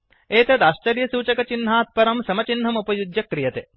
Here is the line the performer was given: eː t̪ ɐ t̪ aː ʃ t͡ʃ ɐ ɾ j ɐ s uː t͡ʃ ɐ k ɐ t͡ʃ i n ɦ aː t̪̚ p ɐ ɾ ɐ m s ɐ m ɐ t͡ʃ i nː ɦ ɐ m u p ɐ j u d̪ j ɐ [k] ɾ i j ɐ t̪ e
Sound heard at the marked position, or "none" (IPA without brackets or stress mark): k